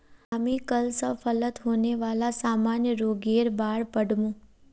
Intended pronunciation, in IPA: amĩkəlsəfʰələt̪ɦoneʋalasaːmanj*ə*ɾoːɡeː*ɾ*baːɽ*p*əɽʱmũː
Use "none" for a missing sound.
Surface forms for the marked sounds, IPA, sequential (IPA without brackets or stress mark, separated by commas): ə, ɾ, p